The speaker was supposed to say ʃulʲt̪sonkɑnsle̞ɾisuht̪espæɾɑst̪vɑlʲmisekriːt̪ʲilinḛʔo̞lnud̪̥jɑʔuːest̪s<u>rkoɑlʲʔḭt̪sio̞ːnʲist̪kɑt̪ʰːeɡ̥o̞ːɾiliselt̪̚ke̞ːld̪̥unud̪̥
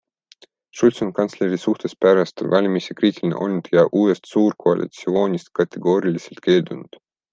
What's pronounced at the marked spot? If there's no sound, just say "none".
uː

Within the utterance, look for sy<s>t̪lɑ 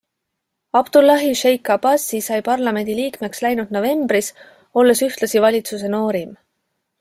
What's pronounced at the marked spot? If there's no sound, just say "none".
h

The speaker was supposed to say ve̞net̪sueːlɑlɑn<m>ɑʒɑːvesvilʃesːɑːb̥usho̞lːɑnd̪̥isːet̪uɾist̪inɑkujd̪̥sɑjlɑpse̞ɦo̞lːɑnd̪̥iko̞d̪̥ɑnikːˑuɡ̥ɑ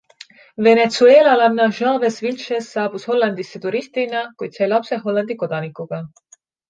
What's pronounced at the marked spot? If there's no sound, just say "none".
n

